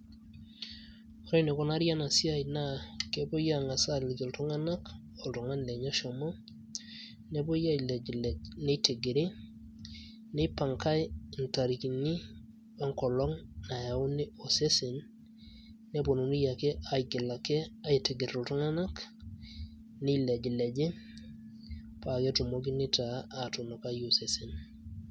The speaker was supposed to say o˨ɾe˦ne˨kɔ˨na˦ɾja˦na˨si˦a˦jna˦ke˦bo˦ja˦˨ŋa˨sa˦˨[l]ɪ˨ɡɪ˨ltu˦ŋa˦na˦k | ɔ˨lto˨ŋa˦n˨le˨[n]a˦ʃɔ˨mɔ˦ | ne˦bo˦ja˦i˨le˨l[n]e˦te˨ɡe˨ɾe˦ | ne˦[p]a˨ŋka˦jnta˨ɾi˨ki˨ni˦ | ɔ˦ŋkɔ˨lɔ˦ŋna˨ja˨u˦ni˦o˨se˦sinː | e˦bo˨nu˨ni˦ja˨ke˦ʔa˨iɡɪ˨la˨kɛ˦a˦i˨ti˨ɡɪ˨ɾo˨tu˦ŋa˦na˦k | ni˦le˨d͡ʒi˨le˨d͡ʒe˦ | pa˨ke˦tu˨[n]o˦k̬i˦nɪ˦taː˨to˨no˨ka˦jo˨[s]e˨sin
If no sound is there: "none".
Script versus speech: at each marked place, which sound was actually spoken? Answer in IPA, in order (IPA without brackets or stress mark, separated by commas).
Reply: l, ɲ, n, p, m, s